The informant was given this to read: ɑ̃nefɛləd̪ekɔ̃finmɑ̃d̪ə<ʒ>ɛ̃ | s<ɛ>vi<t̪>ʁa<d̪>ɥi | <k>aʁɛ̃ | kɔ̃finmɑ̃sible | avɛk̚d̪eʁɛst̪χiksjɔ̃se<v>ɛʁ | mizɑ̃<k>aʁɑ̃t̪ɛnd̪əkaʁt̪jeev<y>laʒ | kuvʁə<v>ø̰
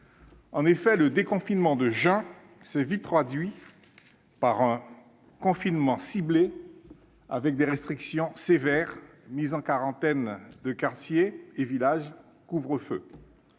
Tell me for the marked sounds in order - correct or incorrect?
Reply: correct, correct, correct, correct, incorrect, correct, correct, incorrect, incorrect

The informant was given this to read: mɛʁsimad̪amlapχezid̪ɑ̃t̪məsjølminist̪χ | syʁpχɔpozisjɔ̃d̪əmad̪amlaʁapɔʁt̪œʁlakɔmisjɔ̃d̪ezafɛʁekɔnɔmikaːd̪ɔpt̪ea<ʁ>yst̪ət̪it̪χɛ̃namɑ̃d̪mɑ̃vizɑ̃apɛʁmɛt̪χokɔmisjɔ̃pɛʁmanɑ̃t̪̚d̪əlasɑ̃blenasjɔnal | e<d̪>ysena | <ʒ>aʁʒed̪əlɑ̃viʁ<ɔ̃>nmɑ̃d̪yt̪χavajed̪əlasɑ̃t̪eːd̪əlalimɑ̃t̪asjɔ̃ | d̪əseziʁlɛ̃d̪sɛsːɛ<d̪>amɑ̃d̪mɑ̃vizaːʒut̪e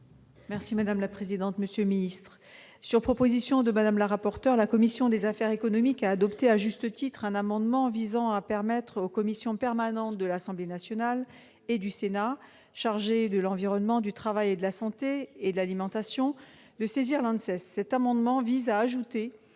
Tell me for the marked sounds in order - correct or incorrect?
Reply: incorrect, correct, incorrect, incorrect, incorrect

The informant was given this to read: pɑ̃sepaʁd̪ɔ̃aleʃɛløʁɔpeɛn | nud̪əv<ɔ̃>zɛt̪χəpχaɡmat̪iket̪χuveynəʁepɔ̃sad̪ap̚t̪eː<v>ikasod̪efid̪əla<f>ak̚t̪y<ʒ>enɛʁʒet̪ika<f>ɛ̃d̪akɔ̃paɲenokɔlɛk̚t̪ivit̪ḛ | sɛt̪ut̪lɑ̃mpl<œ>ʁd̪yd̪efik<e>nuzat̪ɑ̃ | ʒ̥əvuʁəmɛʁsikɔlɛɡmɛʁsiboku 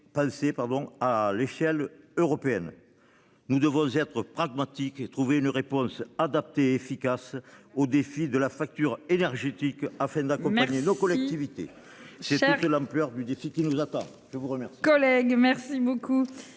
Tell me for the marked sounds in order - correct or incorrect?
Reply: correct, incorrect, correct, incorrect, correct, correct, incorrect

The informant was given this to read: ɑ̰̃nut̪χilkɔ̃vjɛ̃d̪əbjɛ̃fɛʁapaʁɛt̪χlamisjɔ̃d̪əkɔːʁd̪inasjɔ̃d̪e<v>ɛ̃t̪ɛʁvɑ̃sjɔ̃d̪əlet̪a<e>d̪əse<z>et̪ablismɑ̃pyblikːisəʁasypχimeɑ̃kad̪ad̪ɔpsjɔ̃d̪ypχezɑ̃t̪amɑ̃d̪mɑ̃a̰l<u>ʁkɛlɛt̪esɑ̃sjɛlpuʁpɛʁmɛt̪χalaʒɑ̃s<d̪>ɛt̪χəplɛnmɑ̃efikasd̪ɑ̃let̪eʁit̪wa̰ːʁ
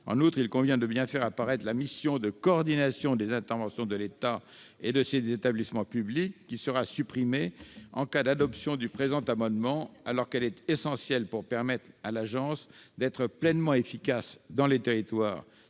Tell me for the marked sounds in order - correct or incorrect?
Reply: incorrect, correct, correct, incorrect, correct

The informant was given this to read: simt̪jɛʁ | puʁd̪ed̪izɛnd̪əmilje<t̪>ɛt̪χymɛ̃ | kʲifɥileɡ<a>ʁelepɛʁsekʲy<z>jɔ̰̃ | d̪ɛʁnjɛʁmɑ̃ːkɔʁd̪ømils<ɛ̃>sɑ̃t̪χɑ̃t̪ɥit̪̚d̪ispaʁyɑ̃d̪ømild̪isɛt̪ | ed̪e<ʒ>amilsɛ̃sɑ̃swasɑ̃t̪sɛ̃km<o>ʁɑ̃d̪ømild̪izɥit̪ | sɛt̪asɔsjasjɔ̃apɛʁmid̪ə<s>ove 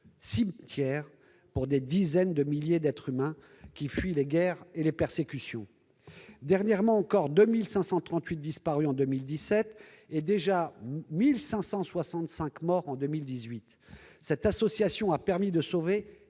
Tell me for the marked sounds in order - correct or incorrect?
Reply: incorrect, incorrect, incorrect, correct, correct, incorrect, correct

